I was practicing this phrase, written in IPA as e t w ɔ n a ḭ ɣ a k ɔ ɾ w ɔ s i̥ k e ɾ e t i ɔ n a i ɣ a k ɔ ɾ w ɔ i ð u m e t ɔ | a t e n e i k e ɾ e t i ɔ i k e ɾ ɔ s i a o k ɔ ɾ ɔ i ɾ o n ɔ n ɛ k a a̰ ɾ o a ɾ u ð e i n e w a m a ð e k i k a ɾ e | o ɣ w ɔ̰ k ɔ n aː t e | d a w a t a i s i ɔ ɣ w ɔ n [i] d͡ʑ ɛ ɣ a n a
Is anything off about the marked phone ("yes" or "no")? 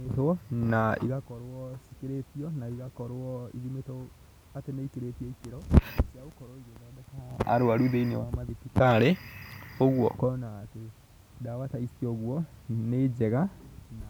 yes